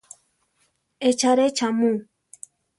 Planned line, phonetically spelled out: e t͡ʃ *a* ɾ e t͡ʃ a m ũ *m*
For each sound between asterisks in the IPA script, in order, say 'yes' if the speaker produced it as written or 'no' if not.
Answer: yes, no

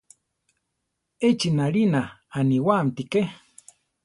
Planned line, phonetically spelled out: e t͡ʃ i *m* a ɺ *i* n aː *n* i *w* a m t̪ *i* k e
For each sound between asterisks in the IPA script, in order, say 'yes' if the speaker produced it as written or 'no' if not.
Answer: no, yes, yes, yes, yes

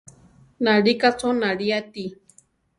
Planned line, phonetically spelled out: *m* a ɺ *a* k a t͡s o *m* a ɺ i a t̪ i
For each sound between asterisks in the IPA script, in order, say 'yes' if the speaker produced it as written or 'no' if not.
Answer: no, no, no

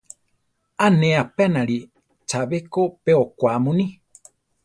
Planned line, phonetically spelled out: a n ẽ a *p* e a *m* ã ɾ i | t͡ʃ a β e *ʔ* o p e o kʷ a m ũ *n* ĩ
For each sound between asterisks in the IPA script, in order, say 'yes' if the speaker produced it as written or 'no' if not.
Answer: yes, no, no, yes

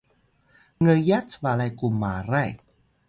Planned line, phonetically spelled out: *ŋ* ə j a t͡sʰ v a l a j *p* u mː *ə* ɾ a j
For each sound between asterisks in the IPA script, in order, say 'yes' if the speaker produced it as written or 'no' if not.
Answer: yes, no, no

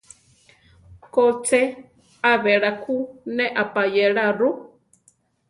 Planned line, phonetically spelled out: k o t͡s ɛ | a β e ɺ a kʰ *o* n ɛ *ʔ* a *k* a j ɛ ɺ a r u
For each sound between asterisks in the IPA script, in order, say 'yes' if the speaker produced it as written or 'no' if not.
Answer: no, yes, no

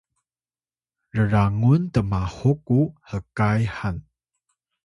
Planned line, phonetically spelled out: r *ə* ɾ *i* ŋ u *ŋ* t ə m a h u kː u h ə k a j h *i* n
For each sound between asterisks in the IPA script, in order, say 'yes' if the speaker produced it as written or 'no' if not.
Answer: yes, no, no, no

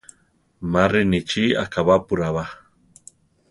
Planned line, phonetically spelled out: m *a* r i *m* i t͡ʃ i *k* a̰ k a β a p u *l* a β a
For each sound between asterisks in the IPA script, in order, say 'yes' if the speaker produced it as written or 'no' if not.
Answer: yes, no, no, no

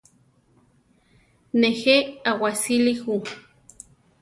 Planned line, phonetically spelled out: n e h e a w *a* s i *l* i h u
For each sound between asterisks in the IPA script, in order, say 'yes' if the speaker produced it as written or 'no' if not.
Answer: yes, yes

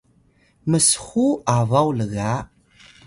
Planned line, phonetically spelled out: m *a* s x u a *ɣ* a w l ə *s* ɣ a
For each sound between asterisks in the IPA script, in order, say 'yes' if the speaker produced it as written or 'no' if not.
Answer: no, no, no

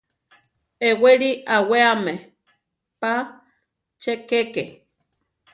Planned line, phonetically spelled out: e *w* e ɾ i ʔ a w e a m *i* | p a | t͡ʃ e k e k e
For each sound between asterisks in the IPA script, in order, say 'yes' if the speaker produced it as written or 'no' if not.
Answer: yes, no

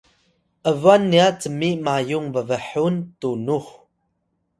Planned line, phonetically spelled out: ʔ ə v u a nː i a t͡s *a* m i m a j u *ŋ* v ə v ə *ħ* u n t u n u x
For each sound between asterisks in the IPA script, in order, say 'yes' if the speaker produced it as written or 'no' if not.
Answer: no, yes, yes

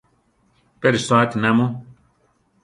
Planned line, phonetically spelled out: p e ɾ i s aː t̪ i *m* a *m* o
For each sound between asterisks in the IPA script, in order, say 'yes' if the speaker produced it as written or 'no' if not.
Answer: no, yes

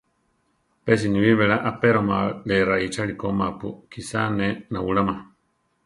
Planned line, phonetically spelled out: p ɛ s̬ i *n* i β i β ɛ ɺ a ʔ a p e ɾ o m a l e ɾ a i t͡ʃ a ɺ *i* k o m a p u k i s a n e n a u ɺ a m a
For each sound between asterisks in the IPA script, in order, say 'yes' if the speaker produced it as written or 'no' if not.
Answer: yes, yes

